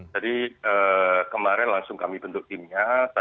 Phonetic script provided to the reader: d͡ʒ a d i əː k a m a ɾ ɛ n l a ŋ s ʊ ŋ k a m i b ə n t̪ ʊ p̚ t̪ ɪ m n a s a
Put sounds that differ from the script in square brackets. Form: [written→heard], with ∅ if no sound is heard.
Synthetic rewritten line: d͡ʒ a d i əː k [a→ə] m a ɾ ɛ n l a ŋ s ʊ ŋ k a m i b ə n t̪ ʊ [p̚→k̚] t̪ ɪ m [n→ɲ] a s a